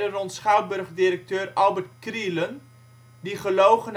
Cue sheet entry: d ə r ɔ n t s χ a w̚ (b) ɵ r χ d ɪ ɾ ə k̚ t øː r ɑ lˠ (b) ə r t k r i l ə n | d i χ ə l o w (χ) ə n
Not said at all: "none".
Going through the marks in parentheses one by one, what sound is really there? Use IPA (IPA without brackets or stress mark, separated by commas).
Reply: b, b, χ